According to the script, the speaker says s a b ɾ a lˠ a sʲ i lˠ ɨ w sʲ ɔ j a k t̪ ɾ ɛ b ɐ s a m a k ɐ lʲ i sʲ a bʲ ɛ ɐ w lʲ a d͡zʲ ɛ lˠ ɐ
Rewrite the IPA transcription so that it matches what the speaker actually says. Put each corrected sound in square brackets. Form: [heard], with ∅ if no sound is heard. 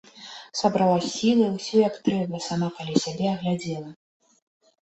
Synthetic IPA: s a b ɾ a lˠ a sʲ i lˠ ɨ w sʲ ɔ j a k t̪ ɾ ɛ b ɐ s a m a k [a] lʲ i sʲ a bʲ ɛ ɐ [ɣ] lʲ a d͡zʲ ɛ lˠ ɐ